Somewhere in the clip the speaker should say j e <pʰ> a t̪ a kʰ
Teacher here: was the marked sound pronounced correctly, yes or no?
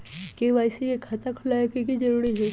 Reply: no